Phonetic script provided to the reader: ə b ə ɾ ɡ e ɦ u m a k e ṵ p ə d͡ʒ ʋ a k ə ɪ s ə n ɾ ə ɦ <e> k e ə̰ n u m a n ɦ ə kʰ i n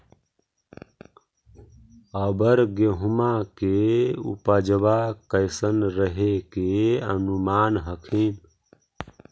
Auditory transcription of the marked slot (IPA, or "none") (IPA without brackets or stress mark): e